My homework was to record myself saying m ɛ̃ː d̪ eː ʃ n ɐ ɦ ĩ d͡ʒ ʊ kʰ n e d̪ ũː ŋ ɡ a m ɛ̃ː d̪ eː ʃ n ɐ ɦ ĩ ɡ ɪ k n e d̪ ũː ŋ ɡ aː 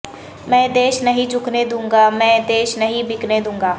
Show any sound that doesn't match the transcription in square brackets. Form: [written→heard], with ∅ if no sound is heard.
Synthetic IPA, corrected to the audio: m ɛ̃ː d̪ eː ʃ n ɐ ɦ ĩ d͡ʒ ʊ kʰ n e d̪ ũː ŋ ɡ a m ɛ̃ː d̪ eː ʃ n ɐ ɦ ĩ [ɡ→b] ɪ k n e d̪ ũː ŋ ɡ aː